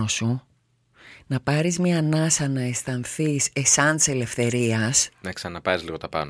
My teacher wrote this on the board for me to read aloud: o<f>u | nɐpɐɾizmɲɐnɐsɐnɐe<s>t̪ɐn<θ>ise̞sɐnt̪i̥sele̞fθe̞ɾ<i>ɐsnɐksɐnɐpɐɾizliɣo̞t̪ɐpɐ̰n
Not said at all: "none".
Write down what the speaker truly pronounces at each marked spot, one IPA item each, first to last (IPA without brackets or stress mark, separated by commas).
s, s, θ, i